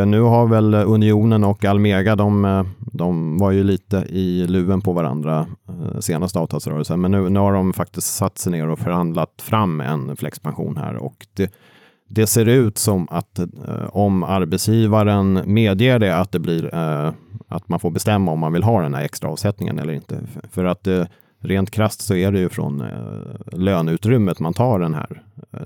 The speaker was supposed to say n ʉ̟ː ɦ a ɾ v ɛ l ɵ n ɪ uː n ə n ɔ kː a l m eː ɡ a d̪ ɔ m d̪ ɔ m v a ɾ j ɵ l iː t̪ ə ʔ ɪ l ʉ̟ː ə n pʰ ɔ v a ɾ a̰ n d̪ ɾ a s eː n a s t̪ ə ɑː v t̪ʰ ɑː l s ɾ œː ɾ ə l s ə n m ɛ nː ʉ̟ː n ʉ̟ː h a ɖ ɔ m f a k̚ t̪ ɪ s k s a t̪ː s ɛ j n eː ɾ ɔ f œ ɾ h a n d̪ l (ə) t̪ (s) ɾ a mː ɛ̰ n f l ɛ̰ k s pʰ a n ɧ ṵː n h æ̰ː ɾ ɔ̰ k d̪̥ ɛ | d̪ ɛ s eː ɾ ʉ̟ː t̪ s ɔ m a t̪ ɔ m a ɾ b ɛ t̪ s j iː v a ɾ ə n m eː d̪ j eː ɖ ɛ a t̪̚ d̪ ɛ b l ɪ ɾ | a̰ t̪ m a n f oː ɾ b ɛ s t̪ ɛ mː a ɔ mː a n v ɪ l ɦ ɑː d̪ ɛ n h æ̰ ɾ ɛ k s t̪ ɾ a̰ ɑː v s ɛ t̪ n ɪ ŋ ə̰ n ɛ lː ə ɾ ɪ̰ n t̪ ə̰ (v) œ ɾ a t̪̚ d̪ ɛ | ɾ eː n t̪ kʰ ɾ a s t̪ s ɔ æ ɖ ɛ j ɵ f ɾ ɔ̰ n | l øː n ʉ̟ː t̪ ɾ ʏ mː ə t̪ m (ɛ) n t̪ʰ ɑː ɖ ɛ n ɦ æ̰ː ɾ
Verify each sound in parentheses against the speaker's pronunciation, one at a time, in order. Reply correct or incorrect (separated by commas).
incorrect, incorrect, incorrect, incorrect